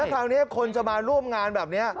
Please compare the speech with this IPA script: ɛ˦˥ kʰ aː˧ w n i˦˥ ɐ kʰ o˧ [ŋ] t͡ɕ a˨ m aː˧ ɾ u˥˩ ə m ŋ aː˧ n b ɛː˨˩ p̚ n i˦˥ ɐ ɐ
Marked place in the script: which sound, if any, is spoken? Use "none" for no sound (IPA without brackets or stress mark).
n